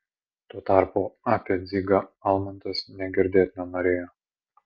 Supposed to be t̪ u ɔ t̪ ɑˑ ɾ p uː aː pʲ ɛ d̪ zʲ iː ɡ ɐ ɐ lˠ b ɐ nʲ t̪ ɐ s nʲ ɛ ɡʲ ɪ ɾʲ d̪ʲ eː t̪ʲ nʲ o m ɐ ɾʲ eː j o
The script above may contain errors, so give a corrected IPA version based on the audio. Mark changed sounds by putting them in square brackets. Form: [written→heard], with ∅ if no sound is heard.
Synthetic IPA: t̪ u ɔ t̪ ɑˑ ɾ p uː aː pʲ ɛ d̪ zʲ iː ɡ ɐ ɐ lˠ [b→m] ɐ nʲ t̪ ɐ s nʲ ɛ ɡʲ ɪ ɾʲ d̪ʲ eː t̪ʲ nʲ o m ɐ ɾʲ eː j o